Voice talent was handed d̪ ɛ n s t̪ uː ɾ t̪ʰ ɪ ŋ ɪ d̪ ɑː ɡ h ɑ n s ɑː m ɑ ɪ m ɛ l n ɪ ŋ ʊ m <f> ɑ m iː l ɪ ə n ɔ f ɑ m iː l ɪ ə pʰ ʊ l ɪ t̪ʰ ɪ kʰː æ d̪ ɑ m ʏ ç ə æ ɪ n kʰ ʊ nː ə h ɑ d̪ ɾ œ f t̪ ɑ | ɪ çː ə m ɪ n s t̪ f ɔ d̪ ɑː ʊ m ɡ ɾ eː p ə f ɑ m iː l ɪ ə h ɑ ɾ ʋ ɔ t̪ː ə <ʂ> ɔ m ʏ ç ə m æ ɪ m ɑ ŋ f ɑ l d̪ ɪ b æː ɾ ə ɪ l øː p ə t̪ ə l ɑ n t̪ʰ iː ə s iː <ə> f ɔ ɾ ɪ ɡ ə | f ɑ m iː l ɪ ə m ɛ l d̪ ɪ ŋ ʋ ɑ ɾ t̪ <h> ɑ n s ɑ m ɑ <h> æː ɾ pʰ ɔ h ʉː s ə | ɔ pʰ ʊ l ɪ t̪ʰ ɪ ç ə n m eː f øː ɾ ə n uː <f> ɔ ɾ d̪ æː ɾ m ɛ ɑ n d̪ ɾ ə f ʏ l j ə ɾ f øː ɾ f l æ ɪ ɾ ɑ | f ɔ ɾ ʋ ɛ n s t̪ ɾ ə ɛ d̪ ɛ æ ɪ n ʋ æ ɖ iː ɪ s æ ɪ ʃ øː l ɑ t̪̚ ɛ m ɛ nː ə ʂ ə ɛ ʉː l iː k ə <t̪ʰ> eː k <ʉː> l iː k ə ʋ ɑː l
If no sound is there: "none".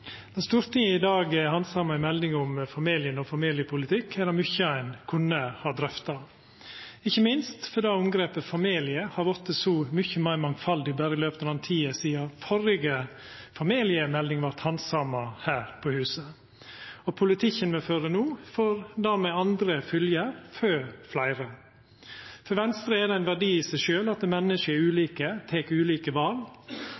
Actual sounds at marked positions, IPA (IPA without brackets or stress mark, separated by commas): f, s, ɑ, h, h, f, t̪ʰ, ʉː